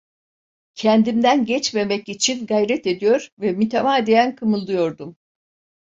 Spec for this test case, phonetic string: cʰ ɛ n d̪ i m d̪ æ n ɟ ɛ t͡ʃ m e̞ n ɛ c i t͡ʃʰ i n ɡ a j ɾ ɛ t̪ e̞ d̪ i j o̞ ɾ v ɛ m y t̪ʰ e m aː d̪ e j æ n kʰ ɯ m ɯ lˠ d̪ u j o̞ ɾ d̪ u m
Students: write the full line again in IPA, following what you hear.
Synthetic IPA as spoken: cʰ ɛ n d̪ i m d̪ æ n ɟ ɛ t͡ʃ m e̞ m ɛ c i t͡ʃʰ i n ɡ a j ɾ ɛ t̪ e̞ d̪ i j o̞ ɾ v ɛ m y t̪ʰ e m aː d̪ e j æ n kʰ ɯ m ɯ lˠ d̪ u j o̞ ɾ d̪ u m